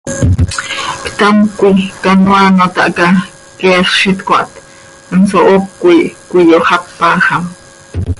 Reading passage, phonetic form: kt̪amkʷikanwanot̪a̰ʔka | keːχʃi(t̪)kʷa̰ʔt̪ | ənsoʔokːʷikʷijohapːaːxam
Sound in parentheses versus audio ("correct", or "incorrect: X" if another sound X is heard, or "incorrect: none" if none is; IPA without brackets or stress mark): correct